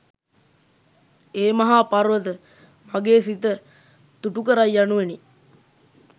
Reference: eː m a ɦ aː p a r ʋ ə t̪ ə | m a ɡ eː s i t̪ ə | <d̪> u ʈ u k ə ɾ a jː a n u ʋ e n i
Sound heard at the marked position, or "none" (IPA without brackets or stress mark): t̪